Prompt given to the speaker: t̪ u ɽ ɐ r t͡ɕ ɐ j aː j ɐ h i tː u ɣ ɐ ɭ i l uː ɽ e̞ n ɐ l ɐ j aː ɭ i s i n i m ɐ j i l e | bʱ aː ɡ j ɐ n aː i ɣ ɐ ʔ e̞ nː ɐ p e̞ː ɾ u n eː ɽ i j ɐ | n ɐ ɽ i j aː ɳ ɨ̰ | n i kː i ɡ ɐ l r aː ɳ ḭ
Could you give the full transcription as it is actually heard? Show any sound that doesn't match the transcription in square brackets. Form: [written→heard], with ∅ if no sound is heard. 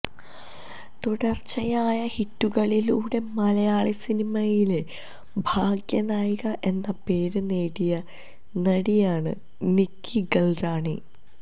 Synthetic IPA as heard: t̪ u ɽ ɐ r t͡ɕ ɐ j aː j ɐ h i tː u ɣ ɐ ɭ i l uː ɽ e̞ [n→m] ɐ l ɐ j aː ɭ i s i n i m ɐ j i l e | bʱ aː ɡ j ɐ n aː [i→j] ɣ ɐ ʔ e̞ nː ɐ p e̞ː ɾ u n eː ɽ i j ɐ | n ɐ ɽ i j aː ɳ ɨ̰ | n i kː i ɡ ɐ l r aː ɳ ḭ